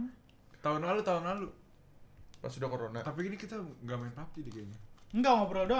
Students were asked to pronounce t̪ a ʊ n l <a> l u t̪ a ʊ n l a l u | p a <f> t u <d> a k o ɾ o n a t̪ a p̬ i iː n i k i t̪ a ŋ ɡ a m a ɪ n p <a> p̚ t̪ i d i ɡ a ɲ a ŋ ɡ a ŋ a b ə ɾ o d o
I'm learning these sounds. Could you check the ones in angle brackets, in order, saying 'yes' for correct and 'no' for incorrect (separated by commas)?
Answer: yes, no, yes, yes